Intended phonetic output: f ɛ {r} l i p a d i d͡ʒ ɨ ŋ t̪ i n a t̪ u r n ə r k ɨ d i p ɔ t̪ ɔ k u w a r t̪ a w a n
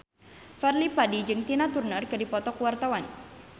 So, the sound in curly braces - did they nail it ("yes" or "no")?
yes